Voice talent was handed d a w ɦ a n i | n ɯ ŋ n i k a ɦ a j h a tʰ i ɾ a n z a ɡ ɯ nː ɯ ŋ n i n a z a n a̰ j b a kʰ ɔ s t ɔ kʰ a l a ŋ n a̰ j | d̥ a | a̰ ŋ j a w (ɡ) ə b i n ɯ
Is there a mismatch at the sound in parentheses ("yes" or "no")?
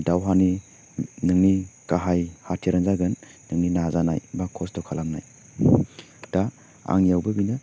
yes